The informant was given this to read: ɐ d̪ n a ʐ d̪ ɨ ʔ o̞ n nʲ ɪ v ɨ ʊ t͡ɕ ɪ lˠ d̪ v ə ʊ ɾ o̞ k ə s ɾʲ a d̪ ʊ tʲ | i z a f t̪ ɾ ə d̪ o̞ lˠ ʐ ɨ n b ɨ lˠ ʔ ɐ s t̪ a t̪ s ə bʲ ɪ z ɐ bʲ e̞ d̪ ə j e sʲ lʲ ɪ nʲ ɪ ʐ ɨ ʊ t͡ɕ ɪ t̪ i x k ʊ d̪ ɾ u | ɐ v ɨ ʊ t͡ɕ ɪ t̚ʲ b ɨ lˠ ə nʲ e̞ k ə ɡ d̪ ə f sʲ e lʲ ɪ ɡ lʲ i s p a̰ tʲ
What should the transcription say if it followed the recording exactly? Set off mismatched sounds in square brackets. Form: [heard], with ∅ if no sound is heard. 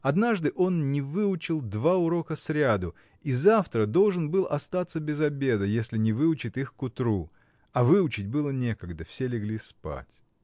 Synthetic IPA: ɐ d̪ n a ʐ d̪ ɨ ʔ o̞ n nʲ ɪ v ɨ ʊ t͡ɕ ɪ lˠ d̪ v [a] ʊ ɾ o̞ k ə s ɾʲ a d̪ ʊ [∅] | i z a f t̪ ɾ ə d̪ o̞ lˠ ʐ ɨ n b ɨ lˠ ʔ ɐ s t̪ a t̪ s ə bʲ ɪ z ɐ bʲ e̞ d̪ ə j e sʲ lʲ ɪ nʲ ɪ [v] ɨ ʊ t͡ɕ ɪ t̪ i x k ʊ [t̪] ɾ u | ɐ v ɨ ʊ t͡ɕ ɪ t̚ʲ b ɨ lˠ ə nʲ e̞ k ə ɡ d̪ ə f sʲ e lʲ ɪ ɡ lʲ i s p a̰ tʲ